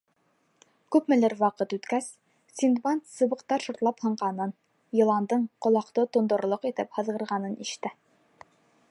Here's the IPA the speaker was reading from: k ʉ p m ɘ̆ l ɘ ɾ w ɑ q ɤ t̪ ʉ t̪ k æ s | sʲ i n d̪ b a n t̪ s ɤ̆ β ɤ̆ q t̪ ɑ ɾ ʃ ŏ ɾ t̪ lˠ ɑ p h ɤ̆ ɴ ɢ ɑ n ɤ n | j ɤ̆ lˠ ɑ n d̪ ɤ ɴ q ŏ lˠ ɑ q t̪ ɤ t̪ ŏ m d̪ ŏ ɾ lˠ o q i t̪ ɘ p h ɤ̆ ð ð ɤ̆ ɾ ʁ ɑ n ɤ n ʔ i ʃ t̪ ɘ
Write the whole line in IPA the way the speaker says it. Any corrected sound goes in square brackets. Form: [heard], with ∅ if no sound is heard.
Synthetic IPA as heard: k ʉ p m ɘ̆ l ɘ ɾ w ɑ q ɤ t̪ ʉ t̪ k æ s | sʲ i n d̪ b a n t̪ s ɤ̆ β ɤ̆ q t̪ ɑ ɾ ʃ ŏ ɾ t̪ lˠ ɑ p h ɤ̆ ɴ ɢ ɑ n ɤ n | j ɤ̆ lˠ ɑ n d̪ ɤ ɴ q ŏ lˠ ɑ q t̪ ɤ t̪ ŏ [n] d̪ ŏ ɾ lˠ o q i t̪ ɘ p h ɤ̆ ð [ʁ] ɤ̆ ɾ ʁ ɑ n ɤ n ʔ i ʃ t̪ ɘ